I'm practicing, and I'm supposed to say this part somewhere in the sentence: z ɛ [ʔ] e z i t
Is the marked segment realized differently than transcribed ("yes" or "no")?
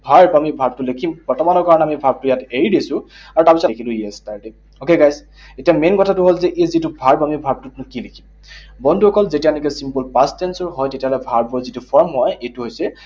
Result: no